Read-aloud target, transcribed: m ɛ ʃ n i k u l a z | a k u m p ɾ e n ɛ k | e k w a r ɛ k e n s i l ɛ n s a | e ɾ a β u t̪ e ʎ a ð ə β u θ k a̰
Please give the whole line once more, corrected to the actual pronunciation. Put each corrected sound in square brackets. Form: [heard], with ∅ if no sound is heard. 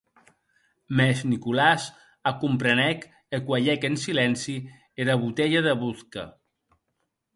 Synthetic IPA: m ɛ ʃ n i k u l a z | a k u m p ɾ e n ɛ k | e k w a [ʎ] ɛ k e n s i l ɛ n s [i] | e ɾ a β u t̪ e ʎ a ð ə β u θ k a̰